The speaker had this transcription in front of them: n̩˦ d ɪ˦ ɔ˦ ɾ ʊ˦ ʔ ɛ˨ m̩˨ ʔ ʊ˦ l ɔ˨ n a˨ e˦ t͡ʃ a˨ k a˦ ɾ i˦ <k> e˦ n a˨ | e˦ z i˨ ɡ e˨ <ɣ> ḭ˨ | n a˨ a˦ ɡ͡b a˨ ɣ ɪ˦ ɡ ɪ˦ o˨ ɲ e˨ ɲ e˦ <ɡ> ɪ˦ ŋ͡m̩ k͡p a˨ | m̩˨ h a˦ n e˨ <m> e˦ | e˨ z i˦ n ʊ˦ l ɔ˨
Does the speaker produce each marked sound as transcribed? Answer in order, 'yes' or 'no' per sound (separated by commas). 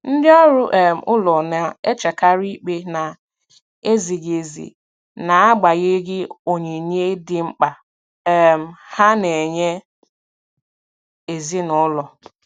no, no, no, no